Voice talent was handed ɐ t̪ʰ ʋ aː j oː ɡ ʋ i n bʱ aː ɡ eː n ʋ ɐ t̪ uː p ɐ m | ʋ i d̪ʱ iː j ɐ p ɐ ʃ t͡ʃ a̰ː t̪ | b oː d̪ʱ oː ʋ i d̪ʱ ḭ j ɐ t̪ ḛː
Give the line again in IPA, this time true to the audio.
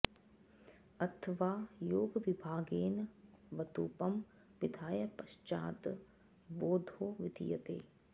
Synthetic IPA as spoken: ɐ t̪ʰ ʋ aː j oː ɡ ʋ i bʱ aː ɡ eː n ʋ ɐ t̪ uː p ɐ m | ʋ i d̪ʱ aː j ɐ p ɐ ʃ t͡ʃ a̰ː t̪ | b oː d̪ʱ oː ʋ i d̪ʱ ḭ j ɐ t̪ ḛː

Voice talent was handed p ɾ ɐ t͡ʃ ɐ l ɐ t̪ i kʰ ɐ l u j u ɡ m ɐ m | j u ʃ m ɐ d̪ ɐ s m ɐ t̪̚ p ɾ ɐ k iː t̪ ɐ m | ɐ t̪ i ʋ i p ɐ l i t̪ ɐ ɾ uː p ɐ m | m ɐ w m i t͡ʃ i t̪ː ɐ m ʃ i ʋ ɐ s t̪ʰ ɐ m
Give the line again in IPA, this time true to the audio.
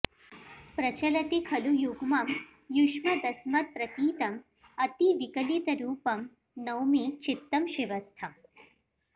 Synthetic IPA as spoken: p ɾ ɐ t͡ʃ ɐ l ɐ t̪ i kʰ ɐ l u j u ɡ m ɐ m | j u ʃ m ɐ d̪ ɐ s m ɐ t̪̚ p ɾ ɐ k iː t̪ ɐ m | ɐ t̪ i ʋ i k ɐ l i t̪ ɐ ɾ uː p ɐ m | n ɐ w m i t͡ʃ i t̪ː ɐ m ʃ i ʋ ɐ s t̪ʰ ɐ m

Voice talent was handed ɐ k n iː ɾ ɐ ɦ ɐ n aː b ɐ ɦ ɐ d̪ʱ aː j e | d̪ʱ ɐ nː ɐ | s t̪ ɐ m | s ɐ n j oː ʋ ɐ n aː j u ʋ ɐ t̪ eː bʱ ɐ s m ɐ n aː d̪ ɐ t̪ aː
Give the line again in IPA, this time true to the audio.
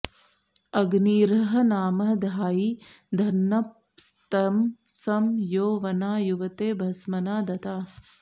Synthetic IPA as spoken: ɐ ɡ n iː ɾ ɐ ɦ ɐ n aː m ɐ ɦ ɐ d̪ʱ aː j i | d̪ʱ ɐ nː ɐ | s t̪ ɐ m | s ɐ m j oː ʋ ɐ n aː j u ʋ ɐ t̪ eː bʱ ɐ s m ɐ n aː d̪ ɐ t̪ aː

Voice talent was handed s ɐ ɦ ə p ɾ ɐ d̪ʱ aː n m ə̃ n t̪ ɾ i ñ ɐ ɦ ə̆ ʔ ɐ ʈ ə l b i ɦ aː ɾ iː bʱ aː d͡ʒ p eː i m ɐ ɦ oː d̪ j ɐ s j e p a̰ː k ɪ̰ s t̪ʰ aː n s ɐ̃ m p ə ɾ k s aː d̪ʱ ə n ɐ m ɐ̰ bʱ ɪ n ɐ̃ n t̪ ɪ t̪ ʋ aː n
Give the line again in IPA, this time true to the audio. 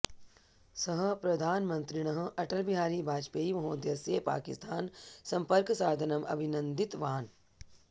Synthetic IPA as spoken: s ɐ ɦ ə p ɾ ɐ d̪ʱ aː n m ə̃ n t̪ ɾ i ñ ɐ ɦ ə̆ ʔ ɐ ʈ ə l b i ɦ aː ɾ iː bʱ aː d͡ʒ p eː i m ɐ ɦ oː d̪ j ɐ s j e p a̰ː k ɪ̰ s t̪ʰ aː n s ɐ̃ m p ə ɾ k s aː d̪ʱ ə n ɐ m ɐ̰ bʱ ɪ n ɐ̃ n d̪ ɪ t̪ ʋ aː n

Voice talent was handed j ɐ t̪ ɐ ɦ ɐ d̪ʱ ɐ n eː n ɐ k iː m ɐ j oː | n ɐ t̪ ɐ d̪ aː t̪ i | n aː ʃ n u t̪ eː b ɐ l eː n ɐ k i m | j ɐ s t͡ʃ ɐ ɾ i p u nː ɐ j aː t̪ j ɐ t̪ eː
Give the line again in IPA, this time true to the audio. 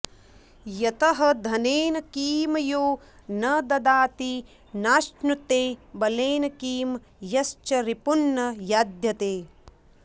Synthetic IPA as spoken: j ɐ t̪ ɐ ɦ ɐ d̪ʱ ɐ n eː n ɐ k iː m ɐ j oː | n ɐ d̪ ɐ d̪ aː t̪ i | n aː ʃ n u t̪ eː b ɐ l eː n ɐ k iː m | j ɐ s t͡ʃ ɐ ɾ i p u nː ɐ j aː d̪ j ɐ t̪ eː

